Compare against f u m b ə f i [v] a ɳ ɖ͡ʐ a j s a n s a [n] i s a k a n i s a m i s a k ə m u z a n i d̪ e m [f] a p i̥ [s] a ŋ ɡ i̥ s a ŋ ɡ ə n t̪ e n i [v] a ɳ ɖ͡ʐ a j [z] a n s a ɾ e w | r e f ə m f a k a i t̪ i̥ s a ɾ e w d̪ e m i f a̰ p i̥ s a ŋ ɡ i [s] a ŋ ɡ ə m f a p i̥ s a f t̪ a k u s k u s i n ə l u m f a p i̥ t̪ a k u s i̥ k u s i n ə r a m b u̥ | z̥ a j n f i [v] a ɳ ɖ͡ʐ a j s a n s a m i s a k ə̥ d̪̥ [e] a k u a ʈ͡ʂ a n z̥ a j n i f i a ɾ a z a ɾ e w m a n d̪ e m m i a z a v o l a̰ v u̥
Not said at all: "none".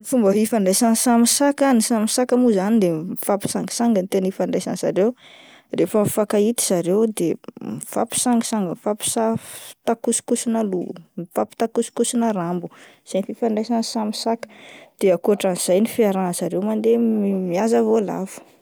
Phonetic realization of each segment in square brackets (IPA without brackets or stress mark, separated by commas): f, m, f, s, f, s, s, f, e